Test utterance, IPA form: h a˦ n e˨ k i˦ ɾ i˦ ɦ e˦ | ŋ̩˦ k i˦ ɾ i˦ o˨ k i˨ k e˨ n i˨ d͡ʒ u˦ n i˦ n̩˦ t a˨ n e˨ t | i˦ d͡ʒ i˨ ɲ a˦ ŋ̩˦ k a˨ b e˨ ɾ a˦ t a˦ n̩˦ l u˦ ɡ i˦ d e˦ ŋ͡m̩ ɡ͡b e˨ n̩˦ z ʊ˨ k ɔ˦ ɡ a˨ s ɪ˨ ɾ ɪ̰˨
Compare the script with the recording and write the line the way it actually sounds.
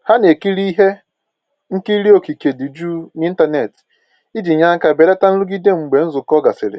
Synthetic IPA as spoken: h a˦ n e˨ k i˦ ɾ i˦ ɦ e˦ | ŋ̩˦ k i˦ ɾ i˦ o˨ k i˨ k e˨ d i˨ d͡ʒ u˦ n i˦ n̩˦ t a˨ n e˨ t | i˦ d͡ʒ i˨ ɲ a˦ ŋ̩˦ k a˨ b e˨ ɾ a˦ t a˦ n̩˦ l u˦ ɡ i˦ d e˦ ŋ͡m̩ ɡ͡b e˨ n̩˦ z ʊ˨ k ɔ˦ ɡ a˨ s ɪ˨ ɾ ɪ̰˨

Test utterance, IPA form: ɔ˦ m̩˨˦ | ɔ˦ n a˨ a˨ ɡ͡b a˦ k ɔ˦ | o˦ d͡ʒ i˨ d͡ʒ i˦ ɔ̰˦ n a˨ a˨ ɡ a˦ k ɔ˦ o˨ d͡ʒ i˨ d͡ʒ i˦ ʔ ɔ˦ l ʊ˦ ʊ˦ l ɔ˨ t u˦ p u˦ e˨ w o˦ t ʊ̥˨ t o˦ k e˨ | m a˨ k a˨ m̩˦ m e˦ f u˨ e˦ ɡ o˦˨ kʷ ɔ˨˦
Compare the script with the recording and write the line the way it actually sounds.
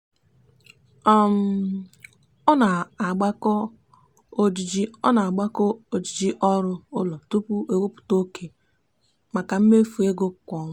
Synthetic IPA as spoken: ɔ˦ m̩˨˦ | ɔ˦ n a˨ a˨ ɡ͡b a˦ k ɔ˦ | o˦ d͡ʒ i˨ d͡ʒ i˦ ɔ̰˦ n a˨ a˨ ɡ͡b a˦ k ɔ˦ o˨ d͡ʒ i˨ d͡ʒ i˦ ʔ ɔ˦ ɾ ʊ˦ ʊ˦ l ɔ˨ t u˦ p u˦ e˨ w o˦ p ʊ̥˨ t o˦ k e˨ | m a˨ k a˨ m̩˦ m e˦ f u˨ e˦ ɡ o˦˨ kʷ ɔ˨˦

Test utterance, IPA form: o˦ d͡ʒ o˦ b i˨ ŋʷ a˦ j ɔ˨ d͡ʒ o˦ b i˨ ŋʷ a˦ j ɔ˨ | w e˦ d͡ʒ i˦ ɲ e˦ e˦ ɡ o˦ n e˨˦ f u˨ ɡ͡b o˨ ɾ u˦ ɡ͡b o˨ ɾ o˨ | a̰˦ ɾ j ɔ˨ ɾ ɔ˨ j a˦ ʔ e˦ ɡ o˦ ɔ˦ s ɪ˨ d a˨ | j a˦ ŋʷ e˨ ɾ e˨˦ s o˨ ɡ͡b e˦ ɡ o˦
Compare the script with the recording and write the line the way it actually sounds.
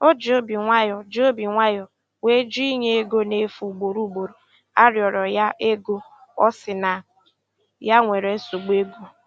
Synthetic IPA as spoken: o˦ d͡ʒ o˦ b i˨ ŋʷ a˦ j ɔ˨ d͡ʒ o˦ b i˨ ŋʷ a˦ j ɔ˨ | w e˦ d͡ʒ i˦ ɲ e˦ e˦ ɡ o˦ n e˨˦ f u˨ ɡ͡b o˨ ɾ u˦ ɡ͡b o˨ ɾ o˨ | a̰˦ ɾ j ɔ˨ ɾ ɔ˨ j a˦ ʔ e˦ ɡ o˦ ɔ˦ s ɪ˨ n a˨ | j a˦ ŋʷ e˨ ɾ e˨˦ s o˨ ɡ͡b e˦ ɡ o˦

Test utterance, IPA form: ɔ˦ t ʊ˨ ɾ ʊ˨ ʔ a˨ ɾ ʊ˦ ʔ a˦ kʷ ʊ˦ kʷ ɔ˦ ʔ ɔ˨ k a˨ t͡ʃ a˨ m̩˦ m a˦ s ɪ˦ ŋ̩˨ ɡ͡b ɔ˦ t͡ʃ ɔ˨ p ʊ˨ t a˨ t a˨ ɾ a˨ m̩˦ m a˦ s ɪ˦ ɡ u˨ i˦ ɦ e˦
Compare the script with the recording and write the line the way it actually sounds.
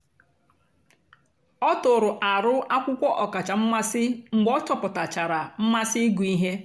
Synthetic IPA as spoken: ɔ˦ t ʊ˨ ɾ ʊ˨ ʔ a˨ ɾ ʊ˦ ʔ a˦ kʷ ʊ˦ kʷ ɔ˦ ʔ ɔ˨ k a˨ t͡ʃ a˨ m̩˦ m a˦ s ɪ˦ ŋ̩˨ ɡ͡b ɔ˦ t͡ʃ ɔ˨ p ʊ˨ t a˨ t͡ʃ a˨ ɾ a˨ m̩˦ m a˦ s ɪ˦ ɡ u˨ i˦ ɦ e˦

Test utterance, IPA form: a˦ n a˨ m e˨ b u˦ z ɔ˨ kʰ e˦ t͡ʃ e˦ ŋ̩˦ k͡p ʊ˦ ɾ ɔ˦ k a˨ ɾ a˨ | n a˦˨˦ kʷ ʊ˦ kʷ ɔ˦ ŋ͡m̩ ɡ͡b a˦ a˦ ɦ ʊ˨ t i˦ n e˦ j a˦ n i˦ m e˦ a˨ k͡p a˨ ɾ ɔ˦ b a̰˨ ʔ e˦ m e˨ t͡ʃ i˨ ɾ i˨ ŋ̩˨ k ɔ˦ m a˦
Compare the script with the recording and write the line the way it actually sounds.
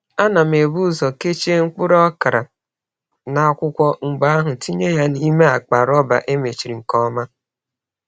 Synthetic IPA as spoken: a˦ n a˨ m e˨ b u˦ z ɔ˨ k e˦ t͡ʃ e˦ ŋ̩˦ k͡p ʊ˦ ɾ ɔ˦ k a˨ ɾ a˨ | n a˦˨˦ kʷ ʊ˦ kʷ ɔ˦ ŋ͡m̩ ɡ͡b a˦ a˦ ɦ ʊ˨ t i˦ ɲ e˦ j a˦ n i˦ m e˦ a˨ k͡p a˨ ɾ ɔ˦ b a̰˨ ʔ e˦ m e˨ t͡ʃ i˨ ɾ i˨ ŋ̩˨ k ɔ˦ m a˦

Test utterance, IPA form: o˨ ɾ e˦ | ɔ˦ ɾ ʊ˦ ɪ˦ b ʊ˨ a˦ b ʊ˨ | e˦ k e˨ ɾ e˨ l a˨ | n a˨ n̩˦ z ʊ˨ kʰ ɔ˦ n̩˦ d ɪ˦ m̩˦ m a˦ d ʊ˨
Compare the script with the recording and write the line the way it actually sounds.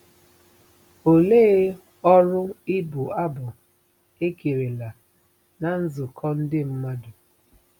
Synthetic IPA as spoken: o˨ l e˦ | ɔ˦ ɾ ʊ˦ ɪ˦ b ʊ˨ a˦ b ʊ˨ | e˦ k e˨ ɾ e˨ l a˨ | n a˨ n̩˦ z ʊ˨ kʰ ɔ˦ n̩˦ d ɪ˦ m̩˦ m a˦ d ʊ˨

